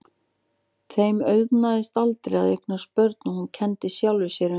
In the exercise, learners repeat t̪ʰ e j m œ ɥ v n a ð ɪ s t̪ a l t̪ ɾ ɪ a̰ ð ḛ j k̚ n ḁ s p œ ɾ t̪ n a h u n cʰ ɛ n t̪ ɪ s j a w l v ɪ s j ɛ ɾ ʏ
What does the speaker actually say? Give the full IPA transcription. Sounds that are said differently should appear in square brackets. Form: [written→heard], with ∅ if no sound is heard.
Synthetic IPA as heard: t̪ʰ e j m œ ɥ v n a ð ɪ s t̪ a l t̪ ɾ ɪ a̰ ð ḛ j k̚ n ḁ s p œ ɾ t̪ n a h u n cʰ ɛ n t̪ ɪ s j a w l v ɪ s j ɛ ɾ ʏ